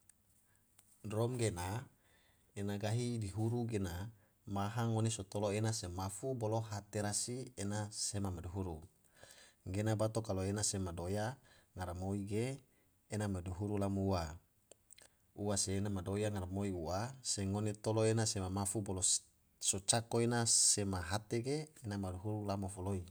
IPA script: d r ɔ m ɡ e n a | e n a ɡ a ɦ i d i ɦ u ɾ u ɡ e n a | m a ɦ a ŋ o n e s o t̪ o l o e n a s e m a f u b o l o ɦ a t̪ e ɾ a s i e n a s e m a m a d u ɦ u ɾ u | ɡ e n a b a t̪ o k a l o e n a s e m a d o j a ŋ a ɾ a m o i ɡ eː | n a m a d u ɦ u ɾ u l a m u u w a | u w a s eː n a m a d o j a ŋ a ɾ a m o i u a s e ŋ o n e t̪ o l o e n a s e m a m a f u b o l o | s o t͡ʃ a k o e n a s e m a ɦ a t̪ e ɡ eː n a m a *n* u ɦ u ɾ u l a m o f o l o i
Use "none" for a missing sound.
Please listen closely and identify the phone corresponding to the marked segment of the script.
d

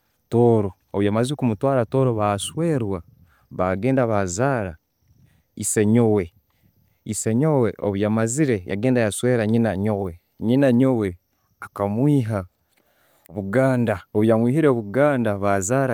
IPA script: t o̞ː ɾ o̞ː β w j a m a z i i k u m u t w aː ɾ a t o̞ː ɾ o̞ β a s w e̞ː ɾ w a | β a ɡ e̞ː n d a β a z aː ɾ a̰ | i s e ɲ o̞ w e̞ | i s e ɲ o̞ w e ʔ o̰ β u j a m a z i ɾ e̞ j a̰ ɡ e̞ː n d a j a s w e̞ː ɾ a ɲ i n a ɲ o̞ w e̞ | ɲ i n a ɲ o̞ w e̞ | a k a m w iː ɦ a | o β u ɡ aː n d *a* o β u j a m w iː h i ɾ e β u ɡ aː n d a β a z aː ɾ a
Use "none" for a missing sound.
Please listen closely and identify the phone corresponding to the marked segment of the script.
a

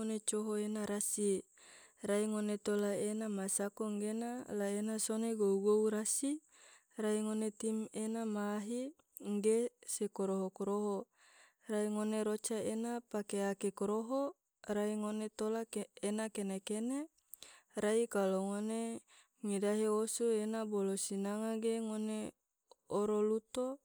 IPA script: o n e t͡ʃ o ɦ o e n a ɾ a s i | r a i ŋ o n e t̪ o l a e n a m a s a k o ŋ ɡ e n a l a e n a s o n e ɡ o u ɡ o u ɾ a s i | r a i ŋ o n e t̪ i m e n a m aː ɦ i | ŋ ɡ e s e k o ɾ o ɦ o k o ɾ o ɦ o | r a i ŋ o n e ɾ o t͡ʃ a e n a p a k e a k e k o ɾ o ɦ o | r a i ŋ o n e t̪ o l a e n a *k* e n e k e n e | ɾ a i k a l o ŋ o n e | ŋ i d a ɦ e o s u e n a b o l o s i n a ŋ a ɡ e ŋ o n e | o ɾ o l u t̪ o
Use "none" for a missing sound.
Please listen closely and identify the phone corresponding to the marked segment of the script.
k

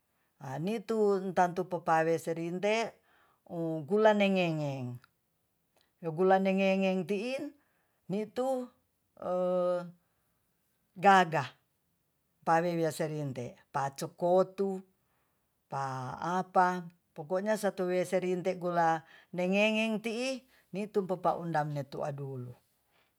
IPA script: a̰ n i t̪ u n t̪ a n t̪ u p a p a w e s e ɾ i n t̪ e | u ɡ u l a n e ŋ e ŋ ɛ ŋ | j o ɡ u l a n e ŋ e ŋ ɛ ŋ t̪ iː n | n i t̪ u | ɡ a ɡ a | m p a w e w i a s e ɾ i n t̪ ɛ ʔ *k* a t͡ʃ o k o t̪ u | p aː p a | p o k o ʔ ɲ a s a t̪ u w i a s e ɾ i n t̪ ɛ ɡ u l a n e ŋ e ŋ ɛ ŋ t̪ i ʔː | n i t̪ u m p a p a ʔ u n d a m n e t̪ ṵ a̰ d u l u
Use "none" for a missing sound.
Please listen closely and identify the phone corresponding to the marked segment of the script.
p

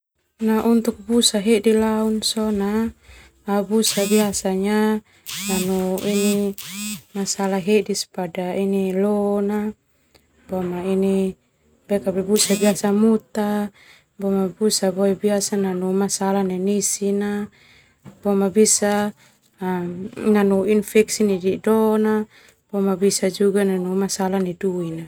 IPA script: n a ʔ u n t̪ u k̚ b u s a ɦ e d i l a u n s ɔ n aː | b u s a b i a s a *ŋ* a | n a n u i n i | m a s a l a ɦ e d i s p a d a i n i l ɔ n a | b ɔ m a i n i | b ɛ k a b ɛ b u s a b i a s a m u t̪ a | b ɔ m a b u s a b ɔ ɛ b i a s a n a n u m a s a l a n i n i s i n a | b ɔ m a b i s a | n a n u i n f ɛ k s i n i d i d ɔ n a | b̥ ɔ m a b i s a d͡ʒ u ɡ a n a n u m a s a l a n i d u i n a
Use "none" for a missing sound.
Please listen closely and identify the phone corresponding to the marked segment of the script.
ɲ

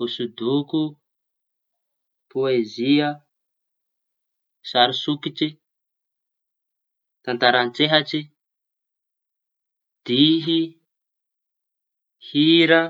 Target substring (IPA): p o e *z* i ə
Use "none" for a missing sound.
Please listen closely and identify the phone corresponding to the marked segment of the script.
z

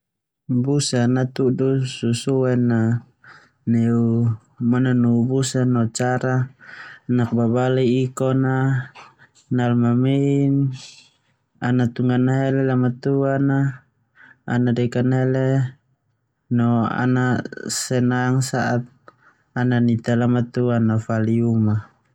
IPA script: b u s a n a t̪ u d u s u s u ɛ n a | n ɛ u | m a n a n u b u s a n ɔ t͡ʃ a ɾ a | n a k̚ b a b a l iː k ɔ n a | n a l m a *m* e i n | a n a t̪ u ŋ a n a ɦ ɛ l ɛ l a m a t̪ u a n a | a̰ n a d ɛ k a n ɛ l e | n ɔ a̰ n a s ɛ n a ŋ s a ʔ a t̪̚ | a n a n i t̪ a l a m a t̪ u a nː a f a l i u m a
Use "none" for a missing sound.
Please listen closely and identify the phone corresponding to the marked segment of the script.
m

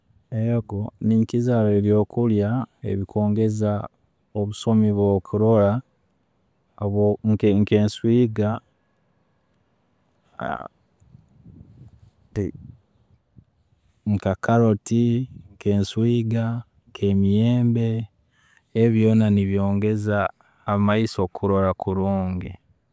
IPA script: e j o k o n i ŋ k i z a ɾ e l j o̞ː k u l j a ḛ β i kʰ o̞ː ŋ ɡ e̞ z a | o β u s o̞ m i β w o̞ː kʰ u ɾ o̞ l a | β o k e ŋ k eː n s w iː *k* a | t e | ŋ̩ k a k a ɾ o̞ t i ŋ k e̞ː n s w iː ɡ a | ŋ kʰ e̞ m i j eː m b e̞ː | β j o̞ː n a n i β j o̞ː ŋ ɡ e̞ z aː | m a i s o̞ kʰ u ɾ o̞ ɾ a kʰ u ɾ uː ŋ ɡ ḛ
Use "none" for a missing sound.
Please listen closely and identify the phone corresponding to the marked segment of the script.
ɡ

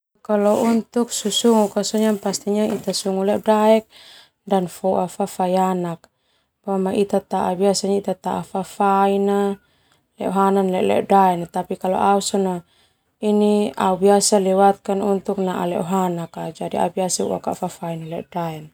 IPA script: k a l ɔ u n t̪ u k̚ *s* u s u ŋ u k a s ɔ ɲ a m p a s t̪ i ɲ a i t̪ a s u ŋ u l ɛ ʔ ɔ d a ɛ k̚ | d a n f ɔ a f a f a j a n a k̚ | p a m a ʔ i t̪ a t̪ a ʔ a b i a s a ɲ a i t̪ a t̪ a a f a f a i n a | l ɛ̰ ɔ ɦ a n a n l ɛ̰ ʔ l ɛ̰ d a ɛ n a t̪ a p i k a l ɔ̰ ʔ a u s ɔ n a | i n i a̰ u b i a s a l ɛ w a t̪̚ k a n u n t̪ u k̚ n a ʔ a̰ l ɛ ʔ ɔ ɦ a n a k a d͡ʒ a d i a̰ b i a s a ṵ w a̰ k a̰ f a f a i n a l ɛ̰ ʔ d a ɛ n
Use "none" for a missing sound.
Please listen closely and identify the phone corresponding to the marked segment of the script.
s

